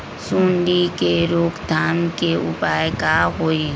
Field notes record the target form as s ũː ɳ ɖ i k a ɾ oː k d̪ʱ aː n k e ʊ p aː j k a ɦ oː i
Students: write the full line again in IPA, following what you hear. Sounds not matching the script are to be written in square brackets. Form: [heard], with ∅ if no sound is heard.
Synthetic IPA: s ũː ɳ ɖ i k [e] ɾ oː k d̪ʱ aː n k e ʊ p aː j k a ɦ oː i